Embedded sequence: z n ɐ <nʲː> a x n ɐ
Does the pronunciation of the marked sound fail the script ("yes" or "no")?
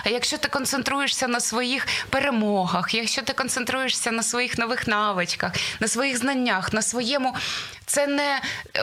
no